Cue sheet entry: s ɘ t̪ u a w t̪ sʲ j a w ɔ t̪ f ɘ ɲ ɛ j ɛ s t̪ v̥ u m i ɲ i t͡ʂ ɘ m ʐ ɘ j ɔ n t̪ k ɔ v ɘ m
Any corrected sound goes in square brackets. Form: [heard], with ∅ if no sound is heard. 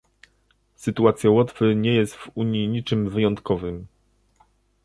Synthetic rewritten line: s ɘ t̪ u a [∅] t̪ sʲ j a w ɔ t̪ f ɘ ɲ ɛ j ɛ s t̪ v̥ u [ɲ] i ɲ i t͡ʂ ɘ m [v] ɘ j ɔ n t̪ k ɔ v ɘ m